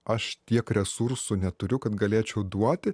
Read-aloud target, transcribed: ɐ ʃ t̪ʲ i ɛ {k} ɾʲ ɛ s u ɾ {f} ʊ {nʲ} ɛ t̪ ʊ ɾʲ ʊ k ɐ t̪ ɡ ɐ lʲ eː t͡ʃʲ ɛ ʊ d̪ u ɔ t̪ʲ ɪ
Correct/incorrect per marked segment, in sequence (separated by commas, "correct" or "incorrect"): correct, incorrect, correct